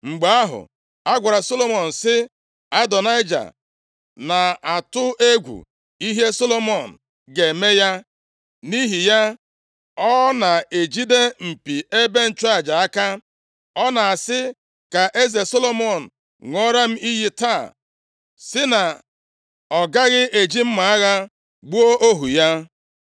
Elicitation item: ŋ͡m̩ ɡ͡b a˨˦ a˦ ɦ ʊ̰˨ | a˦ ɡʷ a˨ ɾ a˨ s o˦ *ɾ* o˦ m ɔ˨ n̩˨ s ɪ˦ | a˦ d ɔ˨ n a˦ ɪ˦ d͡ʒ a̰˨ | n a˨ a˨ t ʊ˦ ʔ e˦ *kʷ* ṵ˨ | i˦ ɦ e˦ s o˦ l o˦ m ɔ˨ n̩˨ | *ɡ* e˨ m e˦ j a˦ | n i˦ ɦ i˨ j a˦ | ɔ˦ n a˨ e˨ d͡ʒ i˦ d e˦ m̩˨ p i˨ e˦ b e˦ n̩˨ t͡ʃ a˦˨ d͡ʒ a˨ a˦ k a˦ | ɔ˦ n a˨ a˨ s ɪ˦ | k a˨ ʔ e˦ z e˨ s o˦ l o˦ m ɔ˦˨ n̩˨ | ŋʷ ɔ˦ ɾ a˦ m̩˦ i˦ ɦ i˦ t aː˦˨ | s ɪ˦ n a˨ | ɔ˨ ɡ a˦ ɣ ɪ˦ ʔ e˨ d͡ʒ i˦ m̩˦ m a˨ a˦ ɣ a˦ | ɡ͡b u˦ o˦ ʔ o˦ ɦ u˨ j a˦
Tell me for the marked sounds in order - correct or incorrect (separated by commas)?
incorrect, incorrect, correct